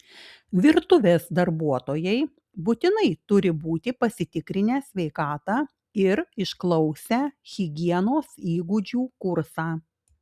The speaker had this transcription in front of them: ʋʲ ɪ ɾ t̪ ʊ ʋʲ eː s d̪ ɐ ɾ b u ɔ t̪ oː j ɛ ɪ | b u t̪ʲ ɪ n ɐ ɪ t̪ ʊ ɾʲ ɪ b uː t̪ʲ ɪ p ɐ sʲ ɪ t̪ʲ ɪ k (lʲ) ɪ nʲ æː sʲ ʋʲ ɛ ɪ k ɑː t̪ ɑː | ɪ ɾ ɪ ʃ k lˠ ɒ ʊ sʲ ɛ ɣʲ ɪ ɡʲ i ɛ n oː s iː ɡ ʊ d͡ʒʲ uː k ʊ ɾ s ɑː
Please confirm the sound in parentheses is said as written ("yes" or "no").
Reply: no